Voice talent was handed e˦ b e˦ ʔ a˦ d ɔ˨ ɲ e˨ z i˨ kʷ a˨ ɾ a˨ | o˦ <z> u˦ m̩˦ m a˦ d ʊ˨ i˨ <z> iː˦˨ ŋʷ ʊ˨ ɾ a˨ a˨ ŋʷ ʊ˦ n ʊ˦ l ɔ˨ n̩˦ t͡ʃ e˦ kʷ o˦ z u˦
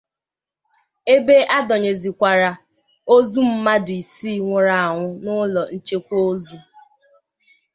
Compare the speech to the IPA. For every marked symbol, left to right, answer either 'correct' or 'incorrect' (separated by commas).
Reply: correct, incorrect